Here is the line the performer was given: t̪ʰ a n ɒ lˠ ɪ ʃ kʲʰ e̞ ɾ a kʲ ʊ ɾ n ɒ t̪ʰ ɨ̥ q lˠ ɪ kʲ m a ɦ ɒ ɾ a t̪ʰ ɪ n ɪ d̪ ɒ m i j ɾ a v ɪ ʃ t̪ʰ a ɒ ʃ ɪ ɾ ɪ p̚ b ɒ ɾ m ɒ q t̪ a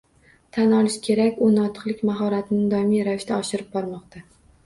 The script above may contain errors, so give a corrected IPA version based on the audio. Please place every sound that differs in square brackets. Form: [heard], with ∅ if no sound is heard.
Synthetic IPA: t̪ʰ a n ɒ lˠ ɪ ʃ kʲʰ e̞ ɾ a kʲ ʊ [∅] n ɒ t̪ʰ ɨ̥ q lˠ ɪ kʲ m a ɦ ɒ ɾ a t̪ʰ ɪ n ɪ d̪ ɒ m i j ɾ a v ɪ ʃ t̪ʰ a ɒ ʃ ɪ ɾ ɪ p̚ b ɒ ɾ m ɒ q t̪ a